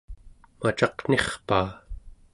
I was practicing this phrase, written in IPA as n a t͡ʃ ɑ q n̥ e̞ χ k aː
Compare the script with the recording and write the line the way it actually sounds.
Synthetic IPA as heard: m a t͡ʃ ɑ q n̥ e̞ χ p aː